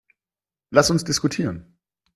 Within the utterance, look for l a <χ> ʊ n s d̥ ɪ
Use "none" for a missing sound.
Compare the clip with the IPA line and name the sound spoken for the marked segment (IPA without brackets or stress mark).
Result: s